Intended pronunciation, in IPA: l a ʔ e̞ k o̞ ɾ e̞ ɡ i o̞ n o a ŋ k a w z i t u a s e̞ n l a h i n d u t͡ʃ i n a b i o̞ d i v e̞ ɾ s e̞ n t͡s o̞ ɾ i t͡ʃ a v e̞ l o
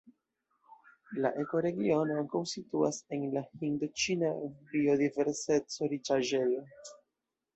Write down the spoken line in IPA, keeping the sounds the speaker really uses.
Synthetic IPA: l a ʔ e̞ k o̞ ɾ e̞ ɡ i o̞ n o a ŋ k a w s i t u a s e̞ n l a h i n d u t͡ʃ i n a b i o̞ d i v e̞ ɾ s e̞ t͡s o̞ ɾ i t͡ʃ a ʒ e̞ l o

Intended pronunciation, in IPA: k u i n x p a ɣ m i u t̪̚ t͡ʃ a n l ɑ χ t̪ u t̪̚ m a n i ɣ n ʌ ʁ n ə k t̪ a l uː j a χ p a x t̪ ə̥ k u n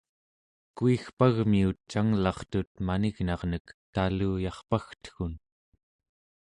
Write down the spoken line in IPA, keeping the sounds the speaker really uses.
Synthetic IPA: k u i x p a ɣ m i u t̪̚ t͡ʃ a ŋ l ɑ χ t̪ u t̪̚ m a n i ɣ n ɑ ʁ n ə k t̪ a l uː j ɑ χ p a x t̪ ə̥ x u n

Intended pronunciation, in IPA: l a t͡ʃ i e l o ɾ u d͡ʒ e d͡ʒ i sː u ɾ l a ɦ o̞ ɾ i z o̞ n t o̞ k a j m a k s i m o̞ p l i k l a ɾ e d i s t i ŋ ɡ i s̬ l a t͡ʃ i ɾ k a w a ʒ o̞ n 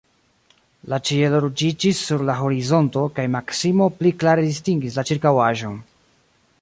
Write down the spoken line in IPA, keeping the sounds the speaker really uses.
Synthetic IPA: l a t͡ʃ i e l o ɾ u d͡ʒ i d͡ʒ i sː u ɾ l a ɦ o̞ ɾ i z o̞ n t o̞ k a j m a k s i m o̞ p l i k l a ɾ e d i s t i ŋ ɡ i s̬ l a t͡ʃ i ɾ k a w a ʒ o̞ n

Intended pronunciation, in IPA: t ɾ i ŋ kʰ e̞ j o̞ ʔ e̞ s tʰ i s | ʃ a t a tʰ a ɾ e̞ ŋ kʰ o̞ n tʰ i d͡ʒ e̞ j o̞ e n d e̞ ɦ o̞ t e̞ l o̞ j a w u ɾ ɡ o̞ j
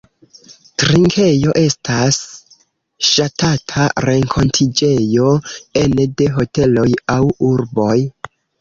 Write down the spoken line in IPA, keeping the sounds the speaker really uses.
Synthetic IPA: t ɾ i ŋ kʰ e̞ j o̞ ʔ e̞ s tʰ a s | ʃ a t a tʰ a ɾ e̞ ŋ kʰ o̞ n tʰ i d͡ʒ e̞ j o̞ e n d e̞ ɦ o̞ t e̞ l o̞ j a w u ɾ b o̞ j

